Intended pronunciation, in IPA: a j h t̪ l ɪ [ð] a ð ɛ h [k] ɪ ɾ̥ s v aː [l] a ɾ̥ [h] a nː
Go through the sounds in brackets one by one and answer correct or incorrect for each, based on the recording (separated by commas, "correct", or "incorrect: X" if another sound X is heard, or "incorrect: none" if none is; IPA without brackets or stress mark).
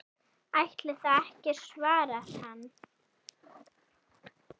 incorrect: θ, incorrect: c, incorrect: ɾ, correct